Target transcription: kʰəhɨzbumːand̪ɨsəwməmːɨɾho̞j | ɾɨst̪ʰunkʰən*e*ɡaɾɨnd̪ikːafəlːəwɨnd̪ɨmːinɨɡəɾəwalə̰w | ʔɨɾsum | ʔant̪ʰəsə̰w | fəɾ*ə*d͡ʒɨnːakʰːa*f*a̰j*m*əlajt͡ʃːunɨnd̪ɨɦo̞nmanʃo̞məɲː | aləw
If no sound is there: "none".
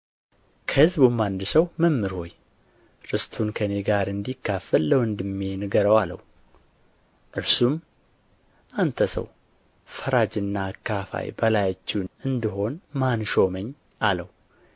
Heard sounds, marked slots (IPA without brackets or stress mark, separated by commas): e, a, f, b